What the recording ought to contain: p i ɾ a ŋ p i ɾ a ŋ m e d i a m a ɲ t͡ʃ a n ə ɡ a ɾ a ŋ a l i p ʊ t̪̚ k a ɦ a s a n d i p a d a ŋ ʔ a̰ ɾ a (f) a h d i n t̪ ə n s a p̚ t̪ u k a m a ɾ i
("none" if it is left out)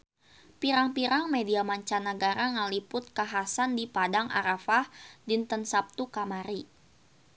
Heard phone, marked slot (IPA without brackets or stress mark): f